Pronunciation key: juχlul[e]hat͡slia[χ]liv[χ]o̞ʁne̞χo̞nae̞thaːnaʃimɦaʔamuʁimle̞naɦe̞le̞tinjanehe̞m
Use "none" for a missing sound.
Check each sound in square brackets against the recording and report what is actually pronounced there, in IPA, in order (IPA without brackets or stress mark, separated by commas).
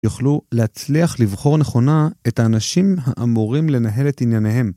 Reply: e, χ, χ